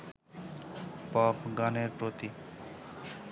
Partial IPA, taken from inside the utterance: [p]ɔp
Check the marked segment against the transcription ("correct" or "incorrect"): correct